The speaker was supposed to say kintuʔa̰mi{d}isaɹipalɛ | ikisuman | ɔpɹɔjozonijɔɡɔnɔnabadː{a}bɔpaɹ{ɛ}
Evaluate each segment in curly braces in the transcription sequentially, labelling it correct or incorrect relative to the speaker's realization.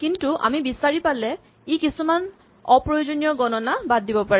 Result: incorrect, incorrect, correct

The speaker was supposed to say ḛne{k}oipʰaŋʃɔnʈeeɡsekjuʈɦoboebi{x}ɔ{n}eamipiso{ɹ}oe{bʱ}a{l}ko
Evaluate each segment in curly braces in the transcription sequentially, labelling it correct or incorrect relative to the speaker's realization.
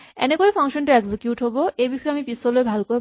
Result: correct, incorrect, incorrect, incorrect, correct, correct

